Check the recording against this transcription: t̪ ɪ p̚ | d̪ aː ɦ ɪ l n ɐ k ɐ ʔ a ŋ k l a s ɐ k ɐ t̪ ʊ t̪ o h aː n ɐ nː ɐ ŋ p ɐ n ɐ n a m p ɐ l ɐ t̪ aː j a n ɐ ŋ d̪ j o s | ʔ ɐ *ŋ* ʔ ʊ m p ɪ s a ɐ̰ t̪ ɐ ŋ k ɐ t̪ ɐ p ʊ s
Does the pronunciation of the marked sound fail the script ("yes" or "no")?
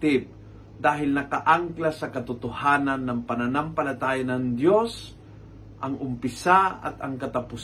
no